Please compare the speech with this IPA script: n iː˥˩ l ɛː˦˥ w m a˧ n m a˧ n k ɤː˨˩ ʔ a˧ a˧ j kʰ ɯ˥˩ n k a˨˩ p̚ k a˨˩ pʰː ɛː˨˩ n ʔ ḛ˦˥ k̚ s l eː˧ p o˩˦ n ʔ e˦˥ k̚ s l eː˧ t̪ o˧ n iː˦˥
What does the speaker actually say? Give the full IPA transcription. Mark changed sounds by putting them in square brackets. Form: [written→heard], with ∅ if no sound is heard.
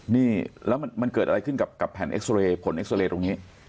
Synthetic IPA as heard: n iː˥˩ l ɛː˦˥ w m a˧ n m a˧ n k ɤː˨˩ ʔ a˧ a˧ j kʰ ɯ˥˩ n k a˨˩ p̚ k a˨˩ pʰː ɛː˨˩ n ʔ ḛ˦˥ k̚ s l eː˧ [p→pʰ] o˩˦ n ʔ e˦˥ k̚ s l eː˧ t̪ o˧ [n→ŋ] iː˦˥